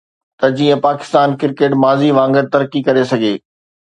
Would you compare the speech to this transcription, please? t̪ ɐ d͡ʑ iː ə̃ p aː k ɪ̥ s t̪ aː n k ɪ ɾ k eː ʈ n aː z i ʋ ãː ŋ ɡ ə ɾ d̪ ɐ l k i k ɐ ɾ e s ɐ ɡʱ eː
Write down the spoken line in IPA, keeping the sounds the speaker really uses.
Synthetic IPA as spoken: t̪ ɐ d͡ʑ iː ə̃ p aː k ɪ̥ s t̪ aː n k ɪ ɾ k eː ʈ m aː z i ʋ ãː ŋ ɡ ə ɾ t̪ ɐ ɾ k i k ɐ ɾ e s ɐ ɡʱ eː